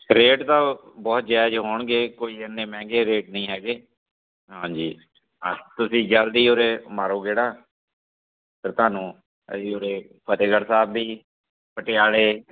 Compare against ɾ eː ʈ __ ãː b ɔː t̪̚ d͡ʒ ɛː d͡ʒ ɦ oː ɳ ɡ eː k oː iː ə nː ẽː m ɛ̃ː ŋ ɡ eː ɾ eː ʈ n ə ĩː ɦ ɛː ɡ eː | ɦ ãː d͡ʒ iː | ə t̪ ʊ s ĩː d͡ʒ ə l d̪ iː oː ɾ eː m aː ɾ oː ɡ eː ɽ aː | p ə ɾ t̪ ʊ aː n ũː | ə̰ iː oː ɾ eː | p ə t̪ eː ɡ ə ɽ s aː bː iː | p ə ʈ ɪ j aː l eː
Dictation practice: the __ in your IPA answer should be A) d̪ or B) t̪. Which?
B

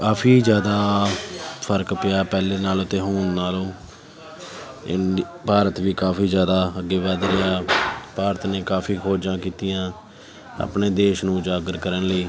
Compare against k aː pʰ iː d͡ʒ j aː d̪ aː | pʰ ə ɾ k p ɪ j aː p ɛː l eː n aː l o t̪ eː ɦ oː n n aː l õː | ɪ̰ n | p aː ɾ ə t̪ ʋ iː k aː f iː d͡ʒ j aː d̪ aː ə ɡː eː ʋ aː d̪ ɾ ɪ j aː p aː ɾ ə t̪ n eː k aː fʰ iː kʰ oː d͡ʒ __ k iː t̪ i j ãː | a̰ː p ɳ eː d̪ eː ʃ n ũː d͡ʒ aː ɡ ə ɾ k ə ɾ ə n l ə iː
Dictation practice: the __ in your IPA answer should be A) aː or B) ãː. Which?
B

